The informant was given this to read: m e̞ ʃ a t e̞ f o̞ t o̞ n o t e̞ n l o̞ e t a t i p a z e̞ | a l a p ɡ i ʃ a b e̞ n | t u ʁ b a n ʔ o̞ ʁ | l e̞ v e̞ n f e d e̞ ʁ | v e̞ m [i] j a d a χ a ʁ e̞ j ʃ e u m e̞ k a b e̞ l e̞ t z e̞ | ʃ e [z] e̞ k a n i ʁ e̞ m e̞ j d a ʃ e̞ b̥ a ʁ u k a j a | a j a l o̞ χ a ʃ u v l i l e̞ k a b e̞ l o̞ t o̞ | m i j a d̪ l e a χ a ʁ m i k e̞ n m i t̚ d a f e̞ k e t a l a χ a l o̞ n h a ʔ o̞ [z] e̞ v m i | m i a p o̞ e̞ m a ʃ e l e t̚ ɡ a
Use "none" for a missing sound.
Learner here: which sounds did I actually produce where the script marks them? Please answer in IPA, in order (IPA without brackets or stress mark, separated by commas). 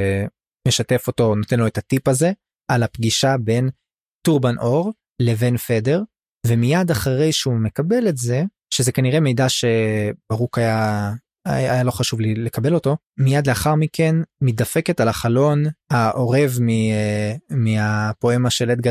i, z, ʁ